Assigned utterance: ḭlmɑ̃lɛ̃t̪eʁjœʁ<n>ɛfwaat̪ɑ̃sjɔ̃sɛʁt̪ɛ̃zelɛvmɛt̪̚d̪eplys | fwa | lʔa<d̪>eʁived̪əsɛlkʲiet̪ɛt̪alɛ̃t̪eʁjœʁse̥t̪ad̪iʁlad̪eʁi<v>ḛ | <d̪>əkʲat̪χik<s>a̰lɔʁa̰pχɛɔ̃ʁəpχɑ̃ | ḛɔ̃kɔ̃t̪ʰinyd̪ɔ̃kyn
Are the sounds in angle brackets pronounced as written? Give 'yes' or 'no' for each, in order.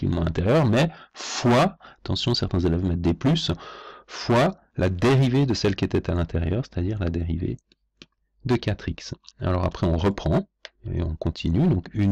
no, yes, yes, yes, yes

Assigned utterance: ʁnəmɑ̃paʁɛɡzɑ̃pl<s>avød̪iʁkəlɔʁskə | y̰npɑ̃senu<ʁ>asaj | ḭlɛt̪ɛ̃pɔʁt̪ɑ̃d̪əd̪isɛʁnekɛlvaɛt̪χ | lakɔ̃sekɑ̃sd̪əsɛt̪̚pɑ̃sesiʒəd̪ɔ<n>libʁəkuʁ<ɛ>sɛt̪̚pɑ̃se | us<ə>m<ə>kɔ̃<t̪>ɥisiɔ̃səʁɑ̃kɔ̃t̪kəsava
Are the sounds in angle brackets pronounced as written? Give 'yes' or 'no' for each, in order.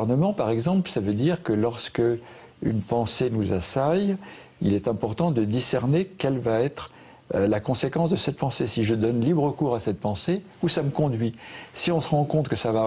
yes, no, yes, no, no, yes, no

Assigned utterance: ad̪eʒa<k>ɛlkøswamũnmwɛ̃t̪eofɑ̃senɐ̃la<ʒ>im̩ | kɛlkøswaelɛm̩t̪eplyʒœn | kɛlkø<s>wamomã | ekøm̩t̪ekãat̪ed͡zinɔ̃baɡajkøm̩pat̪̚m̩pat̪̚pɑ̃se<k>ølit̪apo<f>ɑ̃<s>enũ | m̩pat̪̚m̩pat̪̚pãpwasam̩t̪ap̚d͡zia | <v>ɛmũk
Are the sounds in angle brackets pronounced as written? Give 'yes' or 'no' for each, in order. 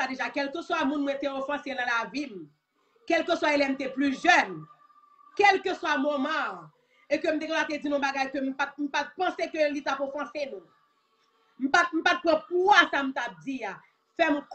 yes, no, yes, yes, yes, yes, no

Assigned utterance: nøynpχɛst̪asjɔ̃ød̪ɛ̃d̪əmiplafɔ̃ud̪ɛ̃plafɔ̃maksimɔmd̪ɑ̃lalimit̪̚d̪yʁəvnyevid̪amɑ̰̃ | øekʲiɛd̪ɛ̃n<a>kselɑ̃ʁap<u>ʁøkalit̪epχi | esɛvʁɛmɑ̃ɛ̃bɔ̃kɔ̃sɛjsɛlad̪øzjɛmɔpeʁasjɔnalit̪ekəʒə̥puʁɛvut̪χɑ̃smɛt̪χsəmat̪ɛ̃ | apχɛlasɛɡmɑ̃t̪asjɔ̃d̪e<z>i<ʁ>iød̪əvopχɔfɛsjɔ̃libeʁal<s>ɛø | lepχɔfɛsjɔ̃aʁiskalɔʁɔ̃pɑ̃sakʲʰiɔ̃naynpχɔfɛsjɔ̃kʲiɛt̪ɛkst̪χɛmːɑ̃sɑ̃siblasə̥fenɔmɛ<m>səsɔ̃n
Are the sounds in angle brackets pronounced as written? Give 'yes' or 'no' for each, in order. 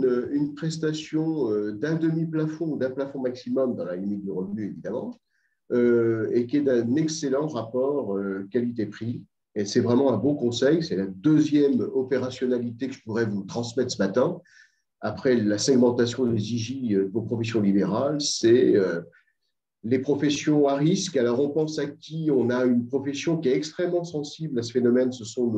no, no, yes, no, yes, no

